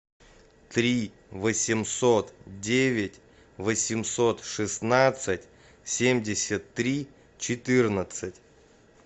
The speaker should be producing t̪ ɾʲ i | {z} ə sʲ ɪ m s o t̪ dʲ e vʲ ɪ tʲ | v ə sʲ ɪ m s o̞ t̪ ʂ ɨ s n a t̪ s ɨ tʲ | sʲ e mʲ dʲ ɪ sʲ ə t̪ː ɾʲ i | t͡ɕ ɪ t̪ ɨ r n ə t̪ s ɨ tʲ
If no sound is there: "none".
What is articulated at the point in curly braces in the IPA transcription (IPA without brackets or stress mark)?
v